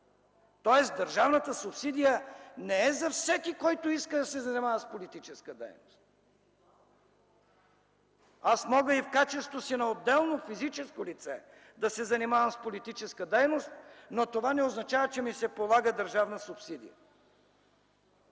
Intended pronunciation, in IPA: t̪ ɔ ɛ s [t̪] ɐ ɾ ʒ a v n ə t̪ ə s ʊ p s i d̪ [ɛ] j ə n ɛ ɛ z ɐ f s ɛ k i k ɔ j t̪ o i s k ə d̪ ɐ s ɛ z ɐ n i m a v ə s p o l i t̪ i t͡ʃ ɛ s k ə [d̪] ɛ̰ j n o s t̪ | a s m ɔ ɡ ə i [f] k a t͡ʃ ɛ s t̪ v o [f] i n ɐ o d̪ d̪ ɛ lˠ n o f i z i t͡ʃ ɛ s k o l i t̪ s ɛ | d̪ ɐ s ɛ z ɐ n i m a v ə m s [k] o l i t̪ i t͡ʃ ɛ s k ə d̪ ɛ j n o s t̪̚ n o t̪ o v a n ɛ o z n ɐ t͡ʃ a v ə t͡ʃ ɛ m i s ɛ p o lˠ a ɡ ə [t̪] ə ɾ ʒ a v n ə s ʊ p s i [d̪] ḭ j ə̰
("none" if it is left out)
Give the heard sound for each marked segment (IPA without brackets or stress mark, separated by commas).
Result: d̪, i, d̪, f, s, p, d̪, d̪